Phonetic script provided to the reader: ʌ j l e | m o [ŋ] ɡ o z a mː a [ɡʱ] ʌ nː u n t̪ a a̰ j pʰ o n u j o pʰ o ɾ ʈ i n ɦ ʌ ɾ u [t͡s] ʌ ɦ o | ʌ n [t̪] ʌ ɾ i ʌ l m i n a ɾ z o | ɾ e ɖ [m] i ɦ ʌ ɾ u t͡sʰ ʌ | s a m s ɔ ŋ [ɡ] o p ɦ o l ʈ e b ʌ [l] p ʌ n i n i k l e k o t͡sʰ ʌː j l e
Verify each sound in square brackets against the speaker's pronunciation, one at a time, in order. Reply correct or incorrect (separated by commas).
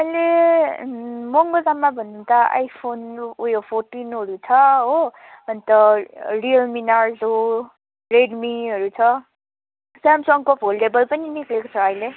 correct, incorrect, incorrect, correct, correct, incorrect, correct